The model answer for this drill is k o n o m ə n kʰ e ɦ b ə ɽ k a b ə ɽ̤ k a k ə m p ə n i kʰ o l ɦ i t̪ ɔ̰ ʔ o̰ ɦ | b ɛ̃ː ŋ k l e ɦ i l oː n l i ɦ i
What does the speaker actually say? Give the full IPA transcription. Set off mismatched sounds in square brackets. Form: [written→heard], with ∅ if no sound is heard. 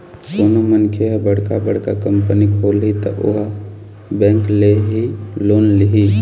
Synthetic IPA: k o n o m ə n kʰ e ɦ b ə ɽ k a b ə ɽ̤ k a k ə m p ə n i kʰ o l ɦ i t̪ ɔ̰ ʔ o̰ ɦ | b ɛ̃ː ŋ k l e ɦ i l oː n l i ɦ i